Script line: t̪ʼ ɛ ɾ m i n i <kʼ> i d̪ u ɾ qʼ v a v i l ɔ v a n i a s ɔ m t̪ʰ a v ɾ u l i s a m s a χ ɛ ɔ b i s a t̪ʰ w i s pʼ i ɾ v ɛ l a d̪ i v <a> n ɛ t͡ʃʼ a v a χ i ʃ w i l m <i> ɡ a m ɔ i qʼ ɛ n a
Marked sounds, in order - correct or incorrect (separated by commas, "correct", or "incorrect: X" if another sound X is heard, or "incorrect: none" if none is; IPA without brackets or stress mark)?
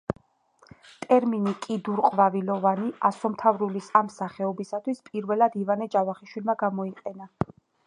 correct, correct, incorrect: a